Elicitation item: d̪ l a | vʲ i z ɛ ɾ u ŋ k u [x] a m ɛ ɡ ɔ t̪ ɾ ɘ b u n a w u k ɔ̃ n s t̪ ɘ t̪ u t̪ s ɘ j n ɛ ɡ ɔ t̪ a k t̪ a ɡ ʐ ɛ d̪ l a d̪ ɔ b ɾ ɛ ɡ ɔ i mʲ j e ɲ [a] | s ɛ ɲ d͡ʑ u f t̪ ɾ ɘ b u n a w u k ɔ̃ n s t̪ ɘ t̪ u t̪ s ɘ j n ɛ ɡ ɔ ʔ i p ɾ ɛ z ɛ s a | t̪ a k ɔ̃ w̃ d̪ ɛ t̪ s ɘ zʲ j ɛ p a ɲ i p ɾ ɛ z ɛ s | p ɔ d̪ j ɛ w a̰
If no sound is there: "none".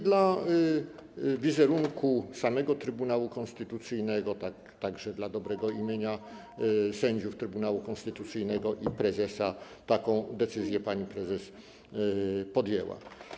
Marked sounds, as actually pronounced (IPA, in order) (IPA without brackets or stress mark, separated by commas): s, a